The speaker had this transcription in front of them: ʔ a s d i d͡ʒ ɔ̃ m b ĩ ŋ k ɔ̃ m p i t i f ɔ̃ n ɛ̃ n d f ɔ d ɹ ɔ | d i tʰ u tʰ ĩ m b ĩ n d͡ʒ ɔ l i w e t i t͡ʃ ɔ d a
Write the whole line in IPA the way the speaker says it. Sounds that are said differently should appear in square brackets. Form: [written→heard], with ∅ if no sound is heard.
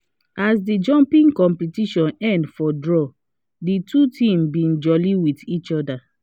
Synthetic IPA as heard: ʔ a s d i d͡ʒ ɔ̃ m [b→p] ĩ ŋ k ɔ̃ m p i t i [f→ʃ] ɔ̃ n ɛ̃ n d f ɔ d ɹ ɔ | d i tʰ u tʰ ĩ m b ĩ n d͡ʒ ɔ l i w [e→i] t i t͡ʃ ɔ d a